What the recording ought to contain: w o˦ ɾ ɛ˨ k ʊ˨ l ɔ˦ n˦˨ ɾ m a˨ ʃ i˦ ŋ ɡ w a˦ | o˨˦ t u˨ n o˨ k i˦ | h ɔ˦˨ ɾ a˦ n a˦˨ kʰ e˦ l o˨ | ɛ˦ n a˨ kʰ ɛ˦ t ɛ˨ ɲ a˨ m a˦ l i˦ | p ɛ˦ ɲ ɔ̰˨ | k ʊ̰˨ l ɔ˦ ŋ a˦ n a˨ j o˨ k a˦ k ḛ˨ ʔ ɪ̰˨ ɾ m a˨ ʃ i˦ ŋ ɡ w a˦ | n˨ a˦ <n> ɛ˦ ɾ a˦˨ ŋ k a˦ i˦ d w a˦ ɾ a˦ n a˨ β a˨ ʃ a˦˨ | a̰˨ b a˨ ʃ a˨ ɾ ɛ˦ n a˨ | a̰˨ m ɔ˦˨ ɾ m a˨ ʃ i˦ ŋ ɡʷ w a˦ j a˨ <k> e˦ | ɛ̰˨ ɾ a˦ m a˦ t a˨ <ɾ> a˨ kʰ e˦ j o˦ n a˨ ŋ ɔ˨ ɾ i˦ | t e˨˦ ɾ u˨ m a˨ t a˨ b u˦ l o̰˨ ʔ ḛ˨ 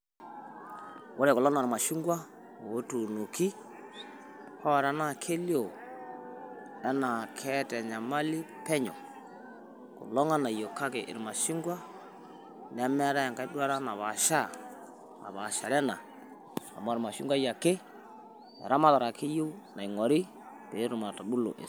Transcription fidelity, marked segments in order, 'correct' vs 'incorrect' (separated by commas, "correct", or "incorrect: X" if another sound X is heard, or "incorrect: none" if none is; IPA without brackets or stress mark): incorrect: m, correct, correct